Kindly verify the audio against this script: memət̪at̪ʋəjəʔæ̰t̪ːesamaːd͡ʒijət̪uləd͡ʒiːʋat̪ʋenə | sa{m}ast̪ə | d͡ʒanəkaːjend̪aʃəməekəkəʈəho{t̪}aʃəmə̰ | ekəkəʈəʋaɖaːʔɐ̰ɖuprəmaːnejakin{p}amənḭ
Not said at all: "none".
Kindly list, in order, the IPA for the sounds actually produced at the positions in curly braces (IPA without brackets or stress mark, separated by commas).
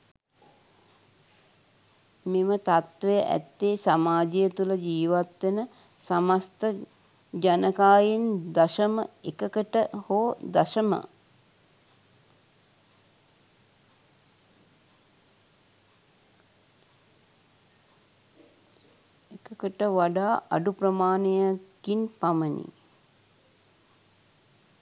m, d̪, p